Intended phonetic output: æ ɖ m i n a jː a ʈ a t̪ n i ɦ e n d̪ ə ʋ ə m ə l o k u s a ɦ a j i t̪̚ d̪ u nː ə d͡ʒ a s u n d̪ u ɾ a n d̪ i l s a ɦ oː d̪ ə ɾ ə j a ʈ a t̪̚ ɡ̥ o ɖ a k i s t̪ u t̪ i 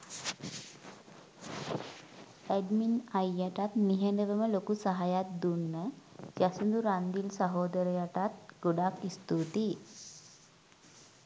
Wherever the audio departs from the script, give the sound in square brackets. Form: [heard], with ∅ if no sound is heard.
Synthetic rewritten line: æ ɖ m i n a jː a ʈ a t̪ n i ɦ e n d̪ ə ʋ ə m ə l o k u s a ɦ a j [a] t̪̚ d̪ u nː ə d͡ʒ a s u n d̪ u ɾ a n d̪ i l s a ɦ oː d̪ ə ɾ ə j a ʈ a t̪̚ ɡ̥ o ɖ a k i s t̪ u t̪ i